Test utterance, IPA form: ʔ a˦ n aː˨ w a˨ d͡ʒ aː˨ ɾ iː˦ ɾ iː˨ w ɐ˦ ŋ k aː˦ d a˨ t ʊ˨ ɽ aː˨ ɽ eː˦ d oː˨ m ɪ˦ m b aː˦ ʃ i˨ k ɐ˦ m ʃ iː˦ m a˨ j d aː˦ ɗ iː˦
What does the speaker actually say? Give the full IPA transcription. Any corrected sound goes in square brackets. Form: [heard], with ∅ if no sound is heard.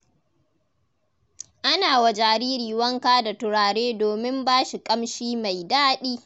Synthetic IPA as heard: ʔ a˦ n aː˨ w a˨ d͡ʒ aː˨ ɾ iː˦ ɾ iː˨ w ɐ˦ ŋ k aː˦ d a˨ t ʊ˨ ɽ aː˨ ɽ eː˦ d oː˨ m ɪ˦ m b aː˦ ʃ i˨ [kʼ] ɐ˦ m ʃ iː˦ m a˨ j d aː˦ ɗ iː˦